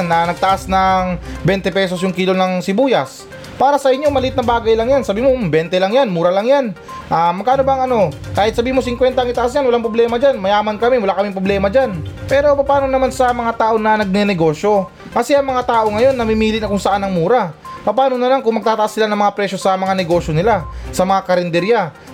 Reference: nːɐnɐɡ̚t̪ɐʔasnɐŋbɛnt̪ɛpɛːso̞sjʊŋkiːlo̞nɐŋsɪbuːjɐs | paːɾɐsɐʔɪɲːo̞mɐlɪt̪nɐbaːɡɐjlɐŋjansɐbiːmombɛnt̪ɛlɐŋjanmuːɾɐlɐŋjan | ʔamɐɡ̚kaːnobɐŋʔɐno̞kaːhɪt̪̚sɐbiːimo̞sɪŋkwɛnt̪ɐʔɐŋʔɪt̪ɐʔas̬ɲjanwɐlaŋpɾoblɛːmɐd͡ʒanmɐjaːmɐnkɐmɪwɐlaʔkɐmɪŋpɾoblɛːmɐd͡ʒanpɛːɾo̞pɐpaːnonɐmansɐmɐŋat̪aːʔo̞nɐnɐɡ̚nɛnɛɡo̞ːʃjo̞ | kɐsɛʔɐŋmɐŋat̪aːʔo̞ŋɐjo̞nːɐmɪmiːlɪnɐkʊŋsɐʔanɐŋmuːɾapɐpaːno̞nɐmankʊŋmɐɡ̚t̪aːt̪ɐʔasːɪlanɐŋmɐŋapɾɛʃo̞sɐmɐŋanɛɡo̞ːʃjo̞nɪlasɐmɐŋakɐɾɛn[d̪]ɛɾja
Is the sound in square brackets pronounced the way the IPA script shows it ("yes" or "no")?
yes